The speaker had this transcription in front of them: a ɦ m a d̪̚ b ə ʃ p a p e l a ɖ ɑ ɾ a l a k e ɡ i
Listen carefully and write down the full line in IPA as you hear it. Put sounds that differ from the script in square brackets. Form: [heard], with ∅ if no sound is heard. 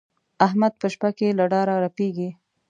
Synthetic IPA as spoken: a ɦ m a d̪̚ [p] ə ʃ p a [k] e l a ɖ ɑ ɾ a [ɾ] a [p] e ɡ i